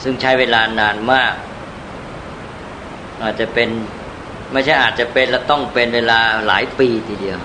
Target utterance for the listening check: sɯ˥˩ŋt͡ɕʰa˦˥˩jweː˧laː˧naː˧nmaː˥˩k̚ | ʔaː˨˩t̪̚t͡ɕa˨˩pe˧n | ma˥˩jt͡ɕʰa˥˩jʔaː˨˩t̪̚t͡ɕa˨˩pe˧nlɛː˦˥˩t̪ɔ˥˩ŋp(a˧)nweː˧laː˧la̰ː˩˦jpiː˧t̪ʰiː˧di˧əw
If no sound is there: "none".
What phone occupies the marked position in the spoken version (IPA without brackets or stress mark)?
e˧